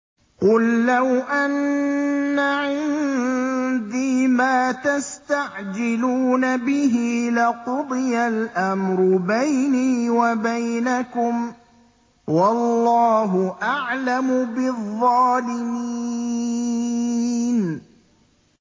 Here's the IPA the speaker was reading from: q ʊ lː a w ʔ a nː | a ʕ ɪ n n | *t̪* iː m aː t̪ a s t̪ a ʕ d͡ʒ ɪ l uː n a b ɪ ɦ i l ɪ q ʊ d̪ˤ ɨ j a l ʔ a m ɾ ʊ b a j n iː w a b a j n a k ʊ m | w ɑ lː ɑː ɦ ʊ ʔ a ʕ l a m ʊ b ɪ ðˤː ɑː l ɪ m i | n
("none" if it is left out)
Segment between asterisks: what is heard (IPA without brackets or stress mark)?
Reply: d̪